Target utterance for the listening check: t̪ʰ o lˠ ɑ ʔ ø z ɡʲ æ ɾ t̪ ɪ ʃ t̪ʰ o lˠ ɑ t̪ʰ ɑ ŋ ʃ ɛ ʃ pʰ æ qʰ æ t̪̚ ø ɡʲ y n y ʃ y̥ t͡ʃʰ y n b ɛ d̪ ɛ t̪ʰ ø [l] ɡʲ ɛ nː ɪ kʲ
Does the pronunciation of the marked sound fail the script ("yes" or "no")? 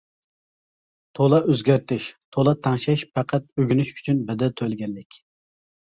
no